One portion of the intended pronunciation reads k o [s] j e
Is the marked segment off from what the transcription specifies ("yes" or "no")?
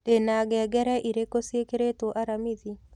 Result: no